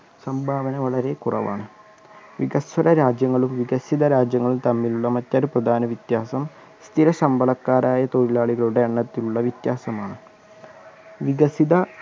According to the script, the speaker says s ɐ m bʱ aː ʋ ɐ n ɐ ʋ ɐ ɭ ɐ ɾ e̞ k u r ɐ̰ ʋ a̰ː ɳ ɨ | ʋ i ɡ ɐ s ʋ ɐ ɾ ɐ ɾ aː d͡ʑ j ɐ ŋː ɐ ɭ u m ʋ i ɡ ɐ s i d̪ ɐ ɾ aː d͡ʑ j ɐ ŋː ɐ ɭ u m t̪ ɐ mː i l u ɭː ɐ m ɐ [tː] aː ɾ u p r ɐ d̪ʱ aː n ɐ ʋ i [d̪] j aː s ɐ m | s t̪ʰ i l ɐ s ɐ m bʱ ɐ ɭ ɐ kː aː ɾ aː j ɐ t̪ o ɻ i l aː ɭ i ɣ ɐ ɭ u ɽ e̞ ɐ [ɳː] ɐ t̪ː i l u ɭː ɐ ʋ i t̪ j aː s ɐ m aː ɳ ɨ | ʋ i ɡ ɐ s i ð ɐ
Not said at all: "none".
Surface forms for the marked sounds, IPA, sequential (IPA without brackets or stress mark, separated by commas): tː, t̪, ɳː